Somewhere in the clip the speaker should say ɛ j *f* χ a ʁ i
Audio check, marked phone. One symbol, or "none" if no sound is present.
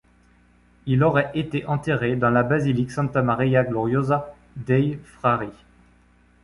f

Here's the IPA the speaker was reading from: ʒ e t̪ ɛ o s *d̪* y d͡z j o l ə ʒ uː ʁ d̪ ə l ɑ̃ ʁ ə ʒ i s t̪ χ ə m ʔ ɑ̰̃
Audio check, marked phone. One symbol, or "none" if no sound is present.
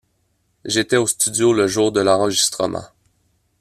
t̪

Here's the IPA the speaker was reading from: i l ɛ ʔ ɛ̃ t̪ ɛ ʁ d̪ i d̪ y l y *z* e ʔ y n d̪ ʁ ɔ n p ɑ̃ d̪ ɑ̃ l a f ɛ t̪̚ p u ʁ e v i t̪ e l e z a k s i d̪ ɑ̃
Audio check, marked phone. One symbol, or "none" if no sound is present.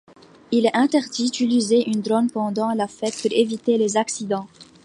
z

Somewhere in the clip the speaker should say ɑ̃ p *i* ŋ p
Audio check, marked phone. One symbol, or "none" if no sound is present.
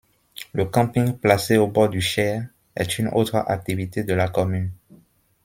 ĩ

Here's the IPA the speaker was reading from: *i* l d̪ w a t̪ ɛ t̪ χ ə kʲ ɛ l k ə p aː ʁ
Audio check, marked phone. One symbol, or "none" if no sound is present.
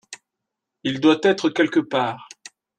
i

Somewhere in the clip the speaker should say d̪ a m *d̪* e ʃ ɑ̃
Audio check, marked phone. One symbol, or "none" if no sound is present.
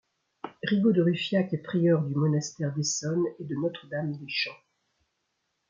d̪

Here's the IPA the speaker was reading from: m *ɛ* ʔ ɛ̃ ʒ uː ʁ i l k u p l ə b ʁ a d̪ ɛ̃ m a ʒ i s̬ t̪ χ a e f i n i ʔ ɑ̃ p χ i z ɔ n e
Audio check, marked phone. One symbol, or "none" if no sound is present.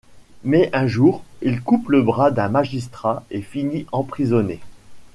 ɛ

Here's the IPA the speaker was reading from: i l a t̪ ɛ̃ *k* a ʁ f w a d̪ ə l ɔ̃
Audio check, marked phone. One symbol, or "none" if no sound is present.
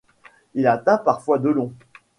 p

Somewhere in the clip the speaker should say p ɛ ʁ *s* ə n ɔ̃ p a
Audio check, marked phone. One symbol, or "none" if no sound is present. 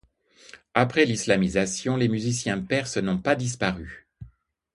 s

